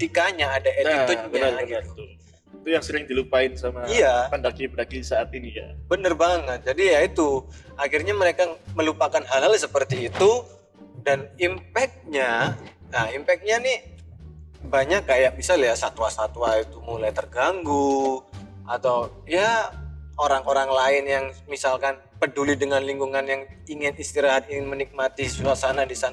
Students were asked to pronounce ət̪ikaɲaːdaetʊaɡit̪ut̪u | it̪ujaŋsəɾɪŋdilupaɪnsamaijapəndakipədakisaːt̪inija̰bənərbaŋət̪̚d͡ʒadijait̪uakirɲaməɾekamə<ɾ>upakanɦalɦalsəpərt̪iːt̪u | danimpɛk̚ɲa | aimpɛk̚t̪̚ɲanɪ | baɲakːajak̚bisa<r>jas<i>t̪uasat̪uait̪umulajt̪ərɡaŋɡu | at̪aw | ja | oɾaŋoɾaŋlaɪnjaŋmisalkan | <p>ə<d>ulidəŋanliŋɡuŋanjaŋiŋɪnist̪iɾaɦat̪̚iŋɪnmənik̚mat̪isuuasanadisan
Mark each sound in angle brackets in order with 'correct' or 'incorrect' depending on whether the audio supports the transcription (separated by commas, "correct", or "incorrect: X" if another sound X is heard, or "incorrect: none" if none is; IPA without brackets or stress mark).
incorrect: l, incorrect: l, incorrect: a, correct, correct